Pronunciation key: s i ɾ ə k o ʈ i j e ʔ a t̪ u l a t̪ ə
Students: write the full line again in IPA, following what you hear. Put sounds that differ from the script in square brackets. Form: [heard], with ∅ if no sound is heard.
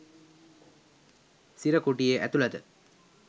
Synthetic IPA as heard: s i ɾ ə k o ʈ i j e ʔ [æ] t̪ u l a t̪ ə